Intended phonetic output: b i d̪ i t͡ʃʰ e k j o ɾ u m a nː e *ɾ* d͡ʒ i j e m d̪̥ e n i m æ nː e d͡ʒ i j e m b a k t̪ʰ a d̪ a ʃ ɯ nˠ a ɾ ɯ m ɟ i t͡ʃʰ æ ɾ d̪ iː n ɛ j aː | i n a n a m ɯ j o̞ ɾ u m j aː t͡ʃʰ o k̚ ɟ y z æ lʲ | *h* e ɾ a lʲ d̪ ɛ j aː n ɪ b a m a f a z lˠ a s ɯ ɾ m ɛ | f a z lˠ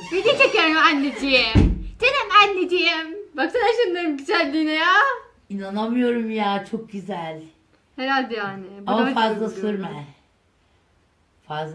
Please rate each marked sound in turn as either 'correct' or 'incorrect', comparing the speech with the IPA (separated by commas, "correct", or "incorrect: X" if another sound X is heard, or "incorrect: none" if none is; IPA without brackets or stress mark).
incorrect: none, correct